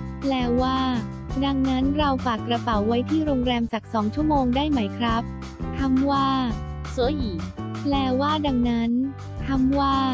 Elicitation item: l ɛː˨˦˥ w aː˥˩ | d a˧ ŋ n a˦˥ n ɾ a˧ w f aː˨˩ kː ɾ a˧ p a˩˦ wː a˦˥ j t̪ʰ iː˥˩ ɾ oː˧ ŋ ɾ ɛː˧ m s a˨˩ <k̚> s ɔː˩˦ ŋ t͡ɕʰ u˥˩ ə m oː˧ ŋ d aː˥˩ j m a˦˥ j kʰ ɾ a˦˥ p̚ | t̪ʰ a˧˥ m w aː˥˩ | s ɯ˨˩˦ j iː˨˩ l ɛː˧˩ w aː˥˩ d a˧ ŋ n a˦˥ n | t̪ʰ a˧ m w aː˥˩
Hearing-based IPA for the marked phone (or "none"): k̚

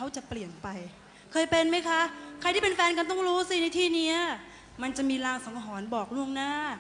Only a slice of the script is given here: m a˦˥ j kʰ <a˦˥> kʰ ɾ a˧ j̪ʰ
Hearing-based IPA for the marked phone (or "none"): a˦˥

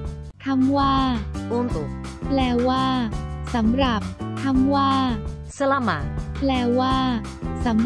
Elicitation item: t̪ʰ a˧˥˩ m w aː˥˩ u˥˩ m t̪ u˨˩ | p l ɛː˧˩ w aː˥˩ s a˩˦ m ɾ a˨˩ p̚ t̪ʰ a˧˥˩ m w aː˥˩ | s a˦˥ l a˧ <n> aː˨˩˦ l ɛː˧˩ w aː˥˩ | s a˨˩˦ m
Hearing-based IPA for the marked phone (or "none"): m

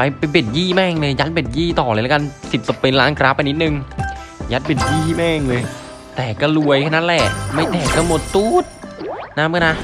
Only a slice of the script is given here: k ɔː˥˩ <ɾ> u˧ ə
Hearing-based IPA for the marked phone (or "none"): l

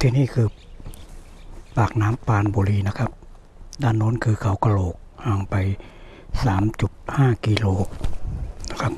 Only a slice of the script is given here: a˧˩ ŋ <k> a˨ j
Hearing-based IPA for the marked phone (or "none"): p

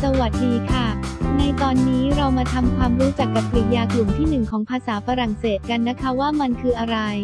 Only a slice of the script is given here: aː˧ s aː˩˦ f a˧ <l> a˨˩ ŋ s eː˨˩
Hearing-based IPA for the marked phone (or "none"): ɾ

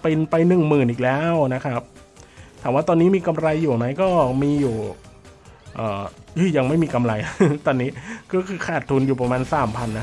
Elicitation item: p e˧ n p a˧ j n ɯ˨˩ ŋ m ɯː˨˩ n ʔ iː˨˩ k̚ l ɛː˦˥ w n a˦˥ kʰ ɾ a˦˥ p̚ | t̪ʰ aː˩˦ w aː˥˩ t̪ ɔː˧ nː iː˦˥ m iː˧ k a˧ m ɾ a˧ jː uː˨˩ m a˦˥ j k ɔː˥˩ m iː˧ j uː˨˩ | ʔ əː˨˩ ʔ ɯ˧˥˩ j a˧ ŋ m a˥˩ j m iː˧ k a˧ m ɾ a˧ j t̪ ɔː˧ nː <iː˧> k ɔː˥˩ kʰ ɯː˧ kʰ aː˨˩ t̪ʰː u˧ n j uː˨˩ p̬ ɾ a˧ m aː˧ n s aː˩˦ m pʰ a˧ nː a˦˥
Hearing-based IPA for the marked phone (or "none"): iː˦˥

